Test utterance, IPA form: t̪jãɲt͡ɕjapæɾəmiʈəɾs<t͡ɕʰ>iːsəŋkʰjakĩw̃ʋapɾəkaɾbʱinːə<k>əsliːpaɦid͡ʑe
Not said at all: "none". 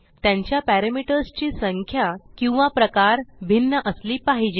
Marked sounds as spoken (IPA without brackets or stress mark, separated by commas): t͡ɕ, ʔ